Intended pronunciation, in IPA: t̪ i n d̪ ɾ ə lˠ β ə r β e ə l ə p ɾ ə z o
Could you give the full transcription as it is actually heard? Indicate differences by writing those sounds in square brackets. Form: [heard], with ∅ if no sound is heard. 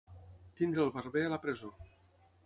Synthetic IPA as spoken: t̪ i n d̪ ɾ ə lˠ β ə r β e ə l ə p ɾ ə z o